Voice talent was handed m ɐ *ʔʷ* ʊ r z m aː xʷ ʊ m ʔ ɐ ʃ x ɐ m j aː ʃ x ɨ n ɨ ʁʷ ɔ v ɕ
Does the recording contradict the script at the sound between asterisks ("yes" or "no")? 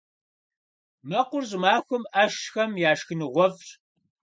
yes